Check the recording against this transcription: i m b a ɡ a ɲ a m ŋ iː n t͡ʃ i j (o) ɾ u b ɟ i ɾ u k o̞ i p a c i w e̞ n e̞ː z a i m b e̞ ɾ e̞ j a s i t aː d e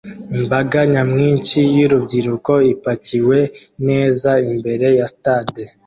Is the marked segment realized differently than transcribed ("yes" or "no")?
yes